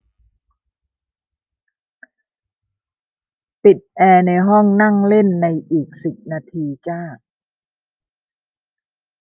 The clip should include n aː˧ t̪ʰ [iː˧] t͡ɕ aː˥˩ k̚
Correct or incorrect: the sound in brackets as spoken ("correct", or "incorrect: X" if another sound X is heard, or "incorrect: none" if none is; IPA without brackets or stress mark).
correct